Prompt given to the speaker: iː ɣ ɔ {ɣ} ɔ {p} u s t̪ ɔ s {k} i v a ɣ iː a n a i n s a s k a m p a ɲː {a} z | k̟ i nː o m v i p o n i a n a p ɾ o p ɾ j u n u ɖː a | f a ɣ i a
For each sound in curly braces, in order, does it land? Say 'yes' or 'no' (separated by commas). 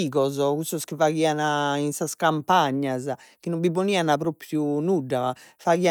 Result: no, no, yes, yes